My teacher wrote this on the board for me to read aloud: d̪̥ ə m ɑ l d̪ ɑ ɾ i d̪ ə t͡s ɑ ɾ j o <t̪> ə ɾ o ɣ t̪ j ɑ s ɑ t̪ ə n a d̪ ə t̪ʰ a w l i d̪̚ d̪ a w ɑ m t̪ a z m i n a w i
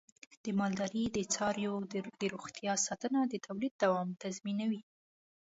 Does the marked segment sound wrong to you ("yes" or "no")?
yes